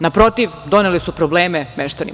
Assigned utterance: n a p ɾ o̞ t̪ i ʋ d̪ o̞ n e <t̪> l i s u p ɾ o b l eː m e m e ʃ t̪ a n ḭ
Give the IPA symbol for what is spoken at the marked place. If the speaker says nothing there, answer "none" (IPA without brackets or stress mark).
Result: none